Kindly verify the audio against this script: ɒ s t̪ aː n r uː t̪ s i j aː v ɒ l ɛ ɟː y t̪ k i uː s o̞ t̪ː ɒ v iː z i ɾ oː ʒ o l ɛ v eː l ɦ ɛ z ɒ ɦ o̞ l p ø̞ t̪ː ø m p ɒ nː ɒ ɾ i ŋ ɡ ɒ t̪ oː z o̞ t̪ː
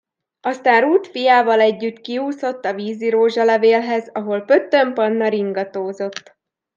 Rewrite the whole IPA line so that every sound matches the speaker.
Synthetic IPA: ɒ s t̪ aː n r uː t̪ f i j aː v ɒ l ɛ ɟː y t̪ k i uː s o̞ t̪ː ɒ v iː z i ɾ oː ʒ ɒ l ɛ v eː l ɦ ɛ z ɒ ɦ o̞ l p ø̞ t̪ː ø m p ɒ nː ɒ ɾ i ŋ ɡ ɒ t̪ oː z o̞ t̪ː

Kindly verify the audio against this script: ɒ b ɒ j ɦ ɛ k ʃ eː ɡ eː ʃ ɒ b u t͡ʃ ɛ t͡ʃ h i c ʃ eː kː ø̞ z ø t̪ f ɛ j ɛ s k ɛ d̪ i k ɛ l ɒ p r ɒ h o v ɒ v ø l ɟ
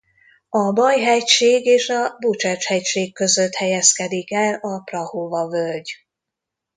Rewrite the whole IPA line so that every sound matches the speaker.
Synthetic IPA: ɒ b ɒ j ɦ ɛ c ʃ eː ɡ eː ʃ ɒ b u t͡ʃ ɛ t͡ʃ h ɛ c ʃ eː kː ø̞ z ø t̪ h ɛ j ɛ s k ɛ d̪ i k ɛ l ɒ p r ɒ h o v ɒ v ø l ɟ

